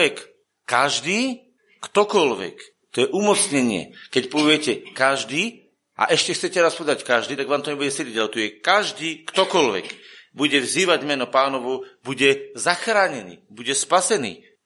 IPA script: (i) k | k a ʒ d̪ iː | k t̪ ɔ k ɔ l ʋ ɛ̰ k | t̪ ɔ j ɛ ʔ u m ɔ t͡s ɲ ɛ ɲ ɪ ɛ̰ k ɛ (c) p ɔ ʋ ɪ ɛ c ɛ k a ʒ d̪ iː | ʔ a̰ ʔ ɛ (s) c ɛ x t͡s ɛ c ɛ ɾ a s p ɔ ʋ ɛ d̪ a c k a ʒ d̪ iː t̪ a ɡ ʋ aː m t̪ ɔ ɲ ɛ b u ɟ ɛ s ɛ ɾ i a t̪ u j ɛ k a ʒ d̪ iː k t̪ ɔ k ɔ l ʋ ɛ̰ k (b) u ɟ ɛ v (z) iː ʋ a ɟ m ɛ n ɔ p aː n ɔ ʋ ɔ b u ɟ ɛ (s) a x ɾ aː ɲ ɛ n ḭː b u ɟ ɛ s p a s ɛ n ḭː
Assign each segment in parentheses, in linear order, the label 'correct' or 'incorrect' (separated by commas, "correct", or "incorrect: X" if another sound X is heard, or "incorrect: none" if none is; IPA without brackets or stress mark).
incorrect: ɛ, correct, incorrect: ʃ, correct, correct, incorrect: z